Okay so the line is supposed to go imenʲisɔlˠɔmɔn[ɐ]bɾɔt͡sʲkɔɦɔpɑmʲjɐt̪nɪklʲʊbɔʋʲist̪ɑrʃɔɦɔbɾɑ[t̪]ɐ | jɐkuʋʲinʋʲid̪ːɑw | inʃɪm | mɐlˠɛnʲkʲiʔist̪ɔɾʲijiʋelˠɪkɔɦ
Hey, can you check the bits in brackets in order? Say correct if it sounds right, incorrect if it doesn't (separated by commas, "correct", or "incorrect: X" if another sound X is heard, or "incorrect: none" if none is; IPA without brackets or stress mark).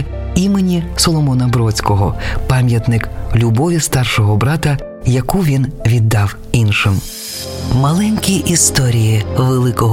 correct, correct